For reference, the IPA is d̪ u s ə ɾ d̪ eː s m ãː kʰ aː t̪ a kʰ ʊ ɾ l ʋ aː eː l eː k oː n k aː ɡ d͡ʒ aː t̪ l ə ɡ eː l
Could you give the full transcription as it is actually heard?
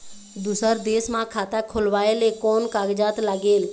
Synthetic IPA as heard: d̪ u s ə ɾ d̪ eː s m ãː kʰ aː t̪ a kʰ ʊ l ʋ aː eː l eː k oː n k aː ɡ d͡ʒ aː t̪ l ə ɡ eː l